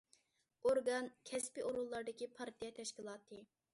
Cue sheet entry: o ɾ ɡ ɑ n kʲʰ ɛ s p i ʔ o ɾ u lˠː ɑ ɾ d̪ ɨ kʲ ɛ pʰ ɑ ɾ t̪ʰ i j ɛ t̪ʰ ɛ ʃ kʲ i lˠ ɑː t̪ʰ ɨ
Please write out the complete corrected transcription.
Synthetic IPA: o ɾ ɡ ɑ n kʲʰ ɛ s p i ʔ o ɾ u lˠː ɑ ɾ d̪ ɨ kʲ i pʰ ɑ ɾ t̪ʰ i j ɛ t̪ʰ ɛ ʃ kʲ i lˠ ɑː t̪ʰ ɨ